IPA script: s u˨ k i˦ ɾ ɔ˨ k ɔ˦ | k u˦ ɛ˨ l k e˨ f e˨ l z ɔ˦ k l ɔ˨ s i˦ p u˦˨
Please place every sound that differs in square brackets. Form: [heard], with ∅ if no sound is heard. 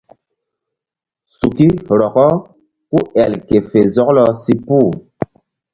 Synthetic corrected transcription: s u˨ k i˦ ɾ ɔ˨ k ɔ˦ | k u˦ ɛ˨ l k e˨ f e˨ [∅] z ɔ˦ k l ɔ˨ s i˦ p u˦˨